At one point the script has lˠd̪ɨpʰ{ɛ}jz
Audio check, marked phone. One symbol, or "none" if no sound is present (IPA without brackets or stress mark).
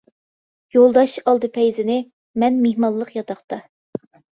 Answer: ɛ